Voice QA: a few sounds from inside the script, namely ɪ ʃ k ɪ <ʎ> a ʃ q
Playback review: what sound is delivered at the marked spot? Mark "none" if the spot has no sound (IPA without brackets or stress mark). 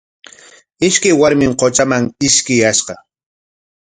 j